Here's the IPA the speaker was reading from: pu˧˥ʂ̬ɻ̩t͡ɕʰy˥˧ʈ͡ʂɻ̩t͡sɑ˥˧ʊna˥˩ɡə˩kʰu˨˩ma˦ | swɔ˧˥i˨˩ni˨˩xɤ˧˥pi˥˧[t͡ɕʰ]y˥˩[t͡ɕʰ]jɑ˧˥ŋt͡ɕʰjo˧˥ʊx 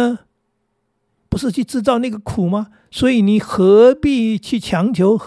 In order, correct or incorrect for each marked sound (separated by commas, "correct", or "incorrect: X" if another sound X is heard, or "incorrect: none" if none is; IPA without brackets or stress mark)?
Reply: correct, correct